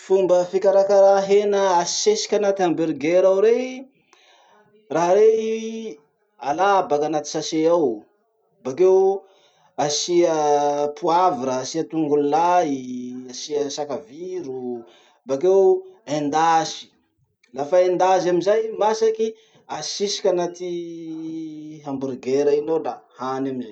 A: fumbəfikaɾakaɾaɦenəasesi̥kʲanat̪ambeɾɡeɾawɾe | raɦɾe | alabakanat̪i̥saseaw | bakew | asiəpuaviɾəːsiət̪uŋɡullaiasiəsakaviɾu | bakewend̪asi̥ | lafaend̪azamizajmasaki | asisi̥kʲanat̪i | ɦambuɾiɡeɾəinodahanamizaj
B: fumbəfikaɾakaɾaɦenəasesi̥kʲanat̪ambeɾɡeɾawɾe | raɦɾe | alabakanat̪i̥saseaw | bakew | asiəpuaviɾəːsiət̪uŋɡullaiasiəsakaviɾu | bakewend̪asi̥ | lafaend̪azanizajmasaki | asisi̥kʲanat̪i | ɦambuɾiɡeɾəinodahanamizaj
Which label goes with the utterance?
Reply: A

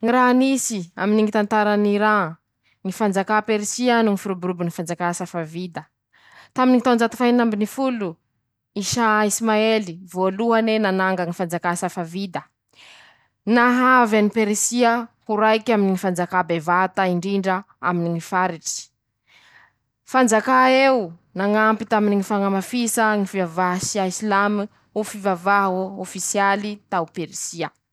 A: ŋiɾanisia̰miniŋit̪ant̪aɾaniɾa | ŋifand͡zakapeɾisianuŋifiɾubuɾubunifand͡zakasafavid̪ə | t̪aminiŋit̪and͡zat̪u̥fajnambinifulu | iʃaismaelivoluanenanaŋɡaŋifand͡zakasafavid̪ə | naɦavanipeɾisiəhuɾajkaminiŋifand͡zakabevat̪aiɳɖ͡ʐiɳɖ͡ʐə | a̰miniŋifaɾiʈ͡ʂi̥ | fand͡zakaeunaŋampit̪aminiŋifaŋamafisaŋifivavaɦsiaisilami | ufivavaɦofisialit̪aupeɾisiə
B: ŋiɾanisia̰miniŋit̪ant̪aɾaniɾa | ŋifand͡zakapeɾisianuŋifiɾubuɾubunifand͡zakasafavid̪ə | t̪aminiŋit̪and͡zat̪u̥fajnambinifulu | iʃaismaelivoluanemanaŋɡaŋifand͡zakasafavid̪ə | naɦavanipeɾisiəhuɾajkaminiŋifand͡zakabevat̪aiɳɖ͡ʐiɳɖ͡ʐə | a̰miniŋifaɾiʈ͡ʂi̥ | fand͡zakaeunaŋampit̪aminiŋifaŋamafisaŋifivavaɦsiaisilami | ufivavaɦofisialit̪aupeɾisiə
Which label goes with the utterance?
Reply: A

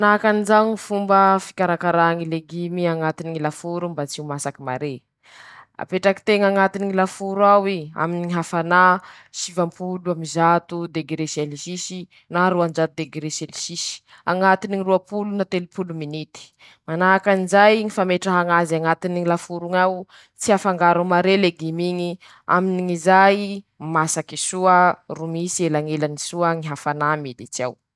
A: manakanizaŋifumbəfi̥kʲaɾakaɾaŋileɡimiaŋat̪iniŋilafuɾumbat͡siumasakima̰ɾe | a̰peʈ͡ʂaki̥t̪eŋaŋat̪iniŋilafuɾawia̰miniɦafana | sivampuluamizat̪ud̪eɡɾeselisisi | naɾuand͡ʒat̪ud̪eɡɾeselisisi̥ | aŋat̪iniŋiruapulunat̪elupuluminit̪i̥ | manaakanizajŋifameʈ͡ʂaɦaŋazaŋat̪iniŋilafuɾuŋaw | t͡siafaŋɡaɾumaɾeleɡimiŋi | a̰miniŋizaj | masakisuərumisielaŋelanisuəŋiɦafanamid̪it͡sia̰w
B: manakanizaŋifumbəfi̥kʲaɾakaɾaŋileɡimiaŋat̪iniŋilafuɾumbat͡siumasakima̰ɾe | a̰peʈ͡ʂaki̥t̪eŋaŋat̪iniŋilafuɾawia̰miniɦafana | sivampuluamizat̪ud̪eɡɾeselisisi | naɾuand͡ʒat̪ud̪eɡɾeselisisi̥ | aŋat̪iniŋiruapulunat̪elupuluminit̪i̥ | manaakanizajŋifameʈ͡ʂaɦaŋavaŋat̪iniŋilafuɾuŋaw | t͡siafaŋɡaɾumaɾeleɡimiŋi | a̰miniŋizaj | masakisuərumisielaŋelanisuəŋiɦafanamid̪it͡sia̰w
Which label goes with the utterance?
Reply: A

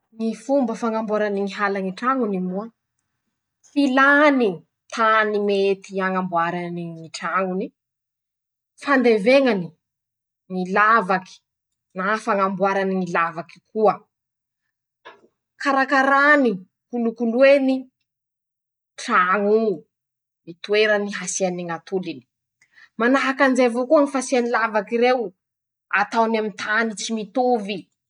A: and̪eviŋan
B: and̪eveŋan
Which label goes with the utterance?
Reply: B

